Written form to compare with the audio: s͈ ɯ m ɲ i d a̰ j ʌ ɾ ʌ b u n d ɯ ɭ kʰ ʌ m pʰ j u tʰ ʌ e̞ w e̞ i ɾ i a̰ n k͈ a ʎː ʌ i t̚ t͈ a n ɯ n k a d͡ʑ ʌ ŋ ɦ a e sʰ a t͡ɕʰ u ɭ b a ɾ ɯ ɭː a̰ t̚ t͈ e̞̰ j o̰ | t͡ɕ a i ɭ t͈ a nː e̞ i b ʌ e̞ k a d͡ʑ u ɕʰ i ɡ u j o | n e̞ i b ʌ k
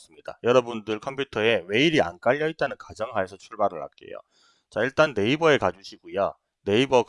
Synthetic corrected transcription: s͈ ɯ m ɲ i d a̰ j ʌ ɾ ʌ b u n d ɯ ɭ kʰ ʌ m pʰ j u tʰ ʌ e̞ w e̞ i ɾ i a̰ n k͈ a ʎː ʌ i t̚ t͈ a n ɯ n k a d͡ʑ ʌ ŋ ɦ a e sʰ ʌ t͡ɕʰ u ɭ b a ɾ ɯ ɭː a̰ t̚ k͈ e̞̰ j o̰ | t͡ɕ a i ɭ t͈ a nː e̞ i b ʌ e̞ k a d͡ʑ u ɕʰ i ɡ u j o | n e̞ i b ʌ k